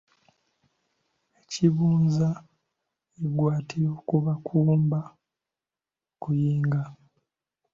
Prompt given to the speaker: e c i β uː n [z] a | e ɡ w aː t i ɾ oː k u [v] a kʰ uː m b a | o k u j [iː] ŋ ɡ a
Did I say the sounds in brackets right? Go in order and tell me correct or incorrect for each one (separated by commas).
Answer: correct, incorrect, correct